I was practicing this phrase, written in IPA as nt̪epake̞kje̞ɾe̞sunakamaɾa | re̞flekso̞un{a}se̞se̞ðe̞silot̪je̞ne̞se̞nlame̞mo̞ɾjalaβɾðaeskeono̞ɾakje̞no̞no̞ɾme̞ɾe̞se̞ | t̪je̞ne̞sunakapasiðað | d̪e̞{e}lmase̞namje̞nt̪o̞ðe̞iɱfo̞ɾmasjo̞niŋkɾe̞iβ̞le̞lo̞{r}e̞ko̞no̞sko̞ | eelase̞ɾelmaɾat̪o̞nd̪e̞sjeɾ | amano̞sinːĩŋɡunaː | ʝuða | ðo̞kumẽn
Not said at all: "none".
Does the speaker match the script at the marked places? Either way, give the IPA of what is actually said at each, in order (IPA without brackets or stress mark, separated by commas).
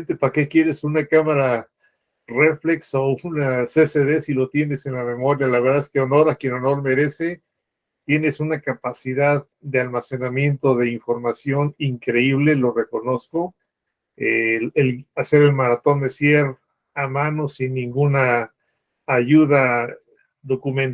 a, a, r